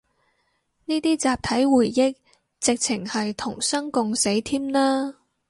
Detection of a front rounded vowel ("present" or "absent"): absent